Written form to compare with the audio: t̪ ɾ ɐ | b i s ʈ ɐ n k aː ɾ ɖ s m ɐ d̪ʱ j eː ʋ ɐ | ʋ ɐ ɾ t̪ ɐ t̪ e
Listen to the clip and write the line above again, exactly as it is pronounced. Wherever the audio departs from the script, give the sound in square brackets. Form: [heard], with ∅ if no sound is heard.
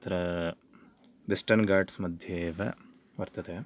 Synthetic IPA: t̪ ɾ ɐ | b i s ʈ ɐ n [ɡ] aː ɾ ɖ s m ɐ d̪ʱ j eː ʋ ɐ | ʋ ɐ ɾ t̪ ɐ t̪ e